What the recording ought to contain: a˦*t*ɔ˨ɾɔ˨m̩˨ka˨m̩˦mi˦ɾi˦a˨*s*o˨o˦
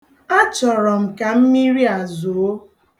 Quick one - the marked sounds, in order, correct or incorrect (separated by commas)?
incorrect, incorrect